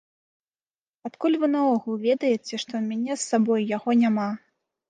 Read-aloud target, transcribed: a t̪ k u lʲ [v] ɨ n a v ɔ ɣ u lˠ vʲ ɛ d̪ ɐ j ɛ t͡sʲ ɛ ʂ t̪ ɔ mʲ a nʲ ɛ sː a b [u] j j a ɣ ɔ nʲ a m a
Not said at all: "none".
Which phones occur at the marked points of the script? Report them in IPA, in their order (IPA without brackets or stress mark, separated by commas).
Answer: v, ɔ